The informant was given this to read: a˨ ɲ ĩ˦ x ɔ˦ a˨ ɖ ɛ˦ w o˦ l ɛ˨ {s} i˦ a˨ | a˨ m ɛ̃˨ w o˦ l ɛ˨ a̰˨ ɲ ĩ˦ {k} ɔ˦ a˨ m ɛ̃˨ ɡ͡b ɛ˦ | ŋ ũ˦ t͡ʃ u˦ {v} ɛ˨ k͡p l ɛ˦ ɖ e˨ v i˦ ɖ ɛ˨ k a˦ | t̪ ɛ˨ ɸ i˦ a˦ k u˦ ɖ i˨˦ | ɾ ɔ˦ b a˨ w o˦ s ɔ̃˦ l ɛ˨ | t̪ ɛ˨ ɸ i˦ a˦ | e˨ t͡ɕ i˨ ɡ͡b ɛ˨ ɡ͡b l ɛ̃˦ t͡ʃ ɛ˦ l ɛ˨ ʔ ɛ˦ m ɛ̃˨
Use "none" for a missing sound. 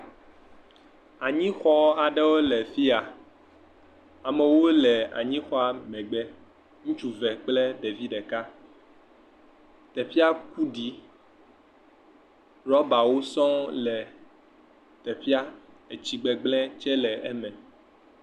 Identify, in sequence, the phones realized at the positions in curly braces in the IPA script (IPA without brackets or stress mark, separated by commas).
f, x, v